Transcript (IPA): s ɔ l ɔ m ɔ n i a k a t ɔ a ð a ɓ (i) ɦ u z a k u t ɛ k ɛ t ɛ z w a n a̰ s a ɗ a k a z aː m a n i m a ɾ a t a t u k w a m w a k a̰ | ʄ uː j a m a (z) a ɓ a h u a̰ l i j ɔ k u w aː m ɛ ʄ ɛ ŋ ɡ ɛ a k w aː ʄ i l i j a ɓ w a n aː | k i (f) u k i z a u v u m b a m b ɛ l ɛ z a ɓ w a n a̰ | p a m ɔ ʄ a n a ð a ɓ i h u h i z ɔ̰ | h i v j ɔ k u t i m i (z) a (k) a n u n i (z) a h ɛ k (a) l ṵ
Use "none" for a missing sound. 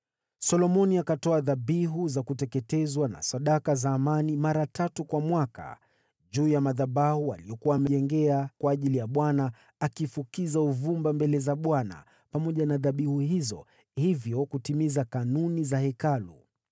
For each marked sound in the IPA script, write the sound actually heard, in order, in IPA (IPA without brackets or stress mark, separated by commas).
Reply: i, ð, f, z, k, z, a